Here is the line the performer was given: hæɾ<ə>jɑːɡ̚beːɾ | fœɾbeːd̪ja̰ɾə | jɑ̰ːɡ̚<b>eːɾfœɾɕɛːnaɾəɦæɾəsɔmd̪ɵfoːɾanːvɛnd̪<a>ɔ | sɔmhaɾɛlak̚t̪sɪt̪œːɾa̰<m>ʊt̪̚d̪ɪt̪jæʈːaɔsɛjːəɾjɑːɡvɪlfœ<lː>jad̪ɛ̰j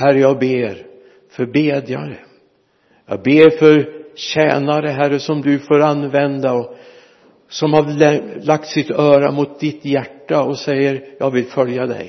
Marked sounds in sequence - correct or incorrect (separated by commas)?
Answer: correct, correct, correct, correct, incorrect